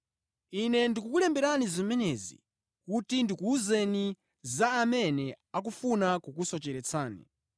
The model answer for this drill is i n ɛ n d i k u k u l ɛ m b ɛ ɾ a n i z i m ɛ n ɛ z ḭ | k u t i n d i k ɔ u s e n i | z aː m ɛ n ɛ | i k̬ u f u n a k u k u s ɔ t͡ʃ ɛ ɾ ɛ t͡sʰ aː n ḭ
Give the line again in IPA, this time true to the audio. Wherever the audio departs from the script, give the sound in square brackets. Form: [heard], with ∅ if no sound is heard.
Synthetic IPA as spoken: i n ɛ n d i k u k u l ɛ m b ɛ ɾ a n i z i m ɛ n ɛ z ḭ | k u t i n d i k [u] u [z] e n i | z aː m ɛ n ɛ | [a] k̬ u f u n a k u k u s ɔ t͡ʃ ɛ ɾ ɛ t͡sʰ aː n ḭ

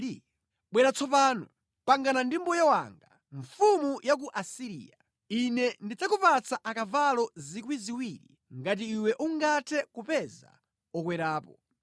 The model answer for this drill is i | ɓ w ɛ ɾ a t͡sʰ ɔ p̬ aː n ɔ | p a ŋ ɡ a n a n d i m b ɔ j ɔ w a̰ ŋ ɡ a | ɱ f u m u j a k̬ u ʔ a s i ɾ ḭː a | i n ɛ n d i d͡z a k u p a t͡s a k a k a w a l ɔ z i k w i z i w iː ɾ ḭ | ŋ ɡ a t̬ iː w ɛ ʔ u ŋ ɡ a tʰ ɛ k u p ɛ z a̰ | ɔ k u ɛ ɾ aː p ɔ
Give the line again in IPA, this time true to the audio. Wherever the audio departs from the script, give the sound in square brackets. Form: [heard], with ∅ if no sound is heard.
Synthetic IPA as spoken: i | ɓ w ɛ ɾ a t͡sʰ ɔ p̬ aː n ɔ | p a ŋ ɡ a n a n d i m b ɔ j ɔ w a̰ ŋ ɡ a | ɱ f u m u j a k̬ u ʔ a s i ɾ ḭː a | i n ɛ n d i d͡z a k u p a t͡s a [ʔ] a k a [v] a l ɔ z i k w i z i w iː ɾ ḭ | ŋ ɡ a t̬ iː w ɛ ʔ u ŋ ɡ a tʰ ɛ k u p ɛ z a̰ | ɔ k [w] ɛ ɾ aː p ɔ

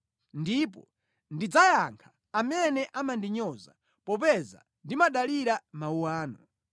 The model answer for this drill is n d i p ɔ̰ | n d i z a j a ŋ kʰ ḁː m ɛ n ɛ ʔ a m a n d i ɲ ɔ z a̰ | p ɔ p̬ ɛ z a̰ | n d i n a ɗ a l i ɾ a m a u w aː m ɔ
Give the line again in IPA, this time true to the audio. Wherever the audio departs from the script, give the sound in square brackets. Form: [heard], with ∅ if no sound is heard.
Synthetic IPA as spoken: n d i p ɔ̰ | n d i [d͡z] a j a ŋ kʰ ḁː m ɛ n ɛ ʔ a m a n d i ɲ ɔ z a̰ | p ɔ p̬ ɛ z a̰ | n d i [m] a ɗ a l i ɾ a m a u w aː [n] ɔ

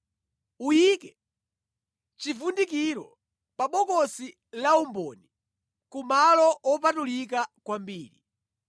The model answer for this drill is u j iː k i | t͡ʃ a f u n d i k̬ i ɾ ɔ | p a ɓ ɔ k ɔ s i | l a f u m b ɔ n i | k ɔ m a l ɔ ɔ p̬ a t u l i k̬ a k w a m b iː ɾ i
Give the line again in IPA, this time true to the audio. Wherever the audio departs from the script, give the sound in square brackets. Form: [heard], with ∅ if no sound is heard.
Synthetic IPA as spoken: u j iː k [ɛ] | t͡ʃ [i] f u n d i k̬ i ɾ ɔ | p a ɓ ɔ k ɔ s i | l a [∅] u m b ɔ n i | k [u] m a l ɔ ɔ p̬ a t u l i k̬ a k w a m b iː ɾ i

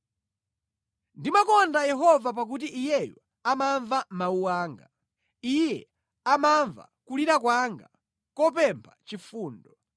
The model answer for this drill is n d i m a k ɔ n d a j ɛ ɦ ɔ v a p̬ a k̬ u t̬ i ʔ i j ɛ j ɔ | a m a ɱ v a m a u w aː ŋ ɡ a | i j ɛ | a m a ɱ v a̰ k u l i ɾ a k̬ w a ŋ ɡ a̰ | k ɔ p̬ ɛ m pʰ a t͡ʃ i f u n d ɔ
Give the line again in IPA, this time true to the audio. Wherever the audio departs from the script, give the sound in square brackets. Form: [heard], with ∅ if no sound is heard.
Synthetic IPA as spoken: n d i m a k ɔ n d a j ɛ ɦ ɔ v a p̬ a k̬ u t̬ i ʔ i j ɛ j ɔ | a m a ɱ v a m a u w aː ŋ ɡ a | i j ɛ | a m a ɱ v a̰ k u l i ɾ a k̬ w a ŋ ɡ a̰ | k ɔ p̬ ɛ m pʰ a t͡ʃ i f [uː] n d ɔ

